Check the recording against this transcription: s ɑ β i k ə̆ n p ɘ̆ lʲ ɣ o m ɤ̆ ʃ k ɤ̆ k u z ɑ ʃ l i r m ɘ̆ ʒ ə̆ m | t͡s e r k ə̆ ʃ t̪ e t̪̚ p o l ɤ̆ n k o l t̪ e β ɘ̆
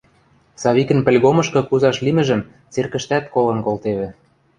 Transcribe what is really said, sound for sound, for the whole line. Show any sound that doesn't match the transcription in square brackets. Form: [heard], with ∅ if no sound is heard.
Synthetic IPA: s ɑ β i k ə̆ n p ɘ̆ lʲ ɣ o m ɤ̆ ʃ k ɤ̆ k u z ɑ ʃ l i [∅] m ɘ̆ ʒ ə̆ m | t͡s e r k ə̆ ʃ t̪ [æ] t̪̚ [k] o l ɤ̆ n k o l t̪ e β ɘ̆